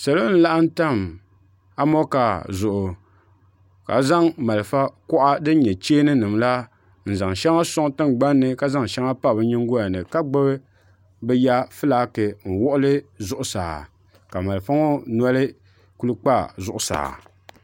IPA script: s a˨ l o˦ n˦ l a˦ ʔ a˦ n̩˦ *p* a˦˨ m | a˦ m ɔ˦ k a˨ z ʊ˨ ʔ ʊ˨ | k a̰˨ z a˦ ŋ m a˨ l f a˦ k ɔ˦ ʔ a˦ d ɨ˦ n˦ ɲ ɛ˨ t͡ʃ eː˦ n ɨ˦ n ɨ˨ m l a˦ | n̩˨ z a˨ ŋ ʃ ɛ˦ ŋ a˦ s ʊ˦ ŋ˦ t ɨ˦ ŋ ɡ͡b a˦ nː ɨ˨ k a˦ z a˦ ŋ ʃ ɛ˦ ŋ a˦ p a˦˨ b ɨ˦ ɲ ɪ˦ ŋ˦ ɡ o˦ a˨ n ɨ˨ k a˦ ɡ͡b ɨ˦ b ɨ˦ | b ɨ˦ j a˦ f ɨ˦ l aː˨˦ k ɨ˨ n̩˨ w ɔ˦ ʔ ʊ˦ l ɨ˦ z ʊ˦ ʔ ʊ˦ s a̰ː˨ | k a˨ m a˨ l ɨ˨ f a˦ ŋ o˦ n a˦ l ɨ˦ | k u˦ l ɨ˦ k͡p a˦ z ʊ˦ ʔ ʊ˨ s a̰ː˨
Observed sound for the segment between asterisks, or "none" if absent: t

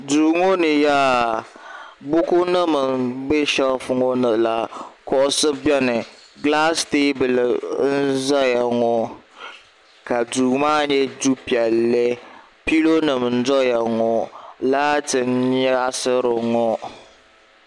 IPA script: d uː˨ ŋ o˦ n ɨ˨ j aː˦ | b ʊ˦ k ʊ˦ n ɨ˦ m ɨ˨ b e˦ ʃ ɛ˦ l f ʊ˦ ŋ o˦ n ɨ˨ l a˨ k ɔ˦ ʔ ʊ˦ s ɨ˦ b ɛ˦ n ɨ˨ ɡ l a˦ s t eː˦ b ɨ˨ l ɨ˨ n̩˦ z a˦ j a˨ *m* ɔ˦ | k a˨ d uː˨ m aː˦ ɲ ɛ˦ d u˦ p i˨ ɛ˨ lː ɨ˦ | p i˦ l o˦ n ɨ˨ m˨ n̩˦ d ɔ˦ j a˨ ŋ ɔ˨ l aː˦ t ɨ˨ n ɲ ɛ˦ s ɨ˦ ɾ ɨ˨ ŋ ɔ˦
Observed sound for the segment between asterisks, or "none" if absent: ŋ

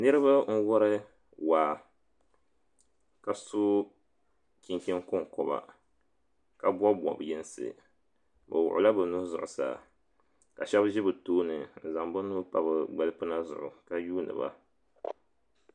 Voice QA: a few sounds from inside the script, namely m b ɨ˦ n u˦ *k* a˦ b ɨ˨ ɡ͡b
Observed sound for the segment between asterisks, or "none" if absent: p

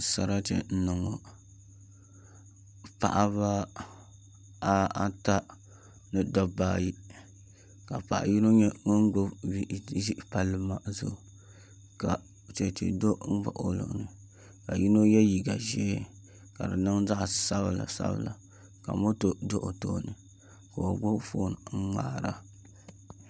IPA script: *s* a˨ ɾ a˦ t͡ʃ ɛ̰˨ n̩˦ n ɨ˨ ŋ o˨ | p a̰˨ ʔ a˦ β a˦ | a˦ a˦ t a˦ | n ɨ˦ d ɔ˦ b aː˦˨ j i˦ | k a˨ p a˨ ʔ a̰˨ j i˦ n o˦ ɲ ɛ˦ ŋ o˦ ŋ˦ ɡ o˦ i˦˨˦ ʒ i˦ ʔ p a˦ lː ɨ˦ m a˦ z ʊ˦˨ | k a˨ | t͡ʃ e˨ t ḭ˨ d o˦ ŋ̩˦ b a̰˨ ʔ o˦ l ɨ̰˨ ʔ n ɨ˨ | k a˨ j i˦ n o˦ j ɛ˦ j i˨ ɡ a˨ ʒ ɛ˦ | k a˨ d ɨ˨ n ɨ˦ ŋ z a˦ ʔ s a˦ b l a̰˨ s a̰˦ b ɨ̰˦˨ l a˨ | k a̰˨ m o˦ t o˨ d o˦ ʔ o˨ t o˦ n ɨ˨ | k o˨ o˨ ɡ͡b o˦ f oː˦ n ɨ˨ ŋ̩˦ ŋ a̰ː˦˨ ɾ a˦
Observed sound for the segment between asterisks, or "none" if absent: s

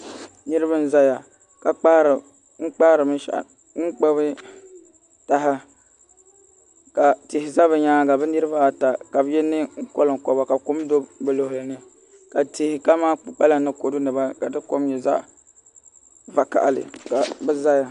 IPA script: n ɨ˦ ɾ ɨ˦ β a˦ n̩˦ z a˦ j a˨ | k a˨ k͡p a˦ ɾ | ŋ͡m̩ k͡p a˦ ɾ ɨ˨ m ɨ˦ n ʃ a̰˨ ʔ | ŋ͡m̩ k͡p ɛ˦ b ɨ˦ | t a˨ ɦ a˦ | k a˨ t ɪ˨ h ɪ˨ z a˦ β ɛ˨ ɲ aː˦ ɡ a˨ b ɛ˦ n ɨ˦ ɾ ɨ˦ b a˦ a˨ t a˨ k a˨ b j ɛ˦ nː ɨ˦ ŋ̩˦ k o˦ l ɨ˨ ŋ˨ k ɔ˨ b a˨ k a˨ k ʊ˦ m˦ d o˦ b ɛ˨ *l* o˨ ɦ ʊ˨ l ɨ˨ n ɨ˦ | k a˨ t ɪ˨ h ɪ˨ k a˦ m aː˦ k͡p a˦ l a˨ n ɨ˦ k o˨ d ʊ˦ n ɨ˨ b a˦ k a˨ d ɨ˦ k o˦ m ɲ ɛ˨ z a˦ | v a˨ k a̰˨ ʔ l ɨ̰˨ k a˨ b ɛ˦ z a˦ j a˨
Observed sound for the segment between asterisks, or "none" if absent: l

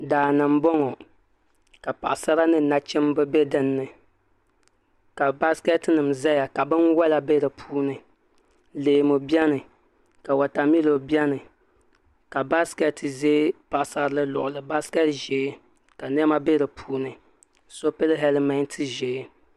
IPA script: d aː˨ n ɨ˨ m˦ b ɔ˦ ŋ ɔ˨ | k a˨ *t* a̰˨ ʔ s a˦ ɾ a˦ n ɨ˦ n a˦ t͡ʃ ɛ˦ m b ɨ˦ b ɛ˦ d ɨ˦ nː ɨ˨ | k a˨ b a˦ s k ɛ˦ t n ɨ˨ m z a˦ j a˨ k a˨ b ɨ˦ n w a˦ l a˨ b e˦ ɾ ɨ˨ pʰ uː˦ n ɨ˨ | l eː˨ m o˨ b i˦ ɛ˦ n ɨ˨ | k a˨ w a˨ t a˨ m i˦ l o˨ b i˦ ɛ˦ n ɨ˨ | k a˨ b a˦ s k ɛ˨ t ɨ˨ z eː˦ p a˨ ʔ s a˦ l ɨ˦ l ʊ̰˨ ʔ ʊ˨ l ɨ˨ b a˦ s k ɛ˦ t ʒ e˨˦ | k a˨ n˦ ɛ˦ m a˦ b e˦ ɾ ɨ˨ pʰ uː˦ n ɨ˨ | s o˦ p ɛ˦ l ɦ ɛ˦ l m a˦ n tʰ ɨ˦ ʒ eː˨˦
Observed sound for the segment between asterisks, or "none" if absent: p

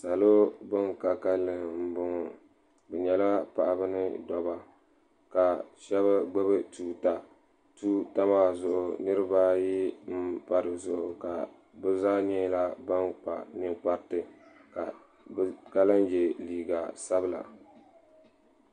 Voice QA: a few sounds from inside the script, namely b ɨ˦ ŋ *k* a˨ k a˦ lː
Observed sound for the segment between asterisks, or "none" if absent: k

